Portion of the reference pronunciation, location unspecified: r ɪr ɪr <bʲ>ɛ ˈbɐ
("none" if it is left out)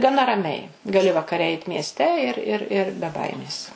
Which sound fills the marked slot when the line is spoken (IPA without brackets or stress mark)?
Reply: bʲ